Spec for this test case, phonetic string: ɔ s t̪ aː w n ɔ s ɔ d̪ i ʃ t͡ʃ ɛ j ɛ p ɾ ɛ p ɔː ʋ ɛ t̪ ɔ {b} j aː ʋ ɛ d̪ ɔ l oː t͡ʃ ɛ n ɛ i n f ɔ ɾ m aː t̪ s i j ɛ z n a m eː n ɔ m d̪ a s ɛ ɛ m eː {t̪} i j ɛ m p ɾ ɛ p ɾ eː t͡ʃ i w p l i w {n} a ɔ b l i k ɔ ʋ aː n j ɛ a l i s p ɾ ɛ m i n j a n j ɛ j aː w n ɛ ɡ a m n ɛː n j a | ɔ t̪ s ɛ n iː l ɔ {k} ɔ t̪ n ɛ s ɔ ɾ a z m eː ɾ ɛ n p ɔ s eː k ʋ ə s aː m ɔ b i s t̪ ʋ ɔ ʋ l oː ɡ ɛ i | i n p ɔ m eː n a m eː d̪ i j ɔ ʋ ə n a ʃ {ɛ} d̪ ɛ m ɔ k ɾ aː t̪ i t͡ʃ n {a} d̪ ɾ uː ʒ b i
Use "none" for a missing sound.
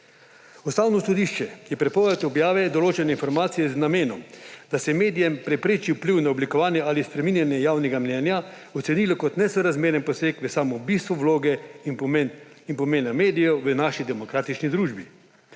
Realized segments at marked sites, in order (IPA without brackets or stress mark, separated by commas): b, d̪, n, k, i, i